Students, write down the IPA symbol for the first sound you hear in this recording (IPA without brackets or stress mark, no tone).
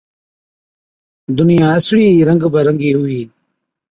d̪